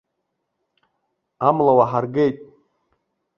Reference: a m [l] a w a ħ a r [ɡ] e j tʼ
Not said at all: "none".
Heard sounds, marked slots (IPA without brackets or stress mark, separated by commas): l, ɡ